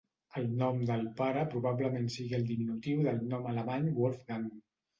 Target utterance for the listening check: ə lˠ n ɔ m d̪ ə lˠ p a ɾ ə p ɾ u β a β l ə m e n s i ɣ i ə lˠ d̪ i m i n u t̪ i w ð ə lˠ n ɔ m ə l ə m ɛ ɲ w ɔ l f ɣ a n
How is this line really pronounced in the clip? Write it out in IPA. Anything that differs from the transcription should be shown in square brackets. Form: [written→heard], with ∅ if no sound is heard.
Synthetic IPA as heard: ə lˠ n ɔ m d̪ ə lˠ p a ɾ ə p ɾ u β a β l ə m e n s i ɣ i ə lˠ d̪ i m i n u t̪ i w ð ə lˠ n ɔ m ə l ə m [ɛ→a] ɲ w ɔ l f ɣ a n